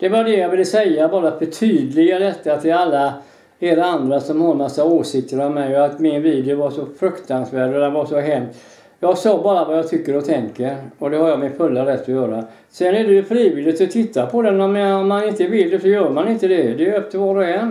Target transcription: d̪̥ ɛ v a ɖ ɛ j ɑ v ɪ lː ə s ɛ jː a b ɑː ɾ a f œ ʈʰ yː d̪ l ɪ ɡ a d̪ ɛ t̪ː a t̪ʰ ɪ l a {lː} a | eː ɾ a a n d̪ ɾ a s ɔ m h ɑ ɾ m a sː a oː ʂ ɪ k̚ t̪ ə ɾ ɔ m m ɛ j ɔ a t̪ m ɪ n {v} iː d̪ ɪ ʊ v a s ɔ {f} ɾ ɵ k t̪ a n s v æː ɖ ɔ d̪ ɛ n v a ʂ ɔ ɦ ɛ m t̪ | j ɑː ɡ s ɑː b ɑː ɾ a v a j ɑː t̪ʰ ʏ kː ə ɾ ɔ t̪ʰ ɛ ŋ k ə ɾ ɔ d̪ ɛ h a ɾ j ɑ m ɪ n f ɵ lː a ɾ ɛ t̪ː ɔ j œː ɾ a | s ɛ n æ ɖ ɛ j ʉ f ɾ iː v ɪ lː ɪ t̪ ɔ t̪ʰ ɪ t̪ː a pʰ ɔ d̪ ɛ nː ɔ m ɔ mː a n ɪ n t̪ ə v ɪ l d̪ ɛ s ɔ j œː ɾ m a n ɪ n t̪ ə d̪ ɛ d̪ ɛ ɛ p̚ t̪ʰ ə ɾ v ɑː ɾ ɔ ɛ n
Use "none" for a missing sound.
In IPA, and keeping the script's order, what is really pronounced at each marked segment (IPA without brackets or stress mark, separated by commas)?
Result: lː, v, f